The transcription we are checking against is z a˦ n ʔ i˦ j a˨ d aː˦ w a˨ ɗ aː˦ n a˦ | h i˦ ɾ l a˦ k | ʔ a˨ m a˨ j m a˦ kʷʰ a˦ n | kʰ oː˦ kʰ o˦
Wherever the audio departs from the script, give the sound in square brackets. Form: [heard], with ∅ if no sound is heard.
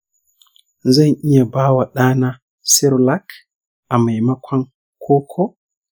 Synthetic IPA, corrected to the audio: z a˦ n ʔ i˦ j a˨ [b] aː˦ w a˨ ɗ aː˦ n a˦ | [s] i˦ ɾ l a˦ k | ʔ a˨ m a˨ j m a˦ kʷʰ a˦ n | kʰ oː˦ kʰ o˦